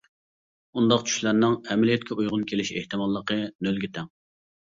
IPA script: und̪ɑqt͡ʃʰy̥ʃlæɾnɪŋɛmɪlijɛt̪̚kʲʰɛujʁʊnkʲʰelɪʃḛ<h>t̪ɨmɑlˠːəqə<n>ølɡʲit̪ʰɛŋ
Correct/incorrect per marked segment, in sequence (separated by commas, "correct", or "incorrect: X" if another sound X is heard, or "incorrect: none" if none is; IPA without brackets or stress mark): correct, correct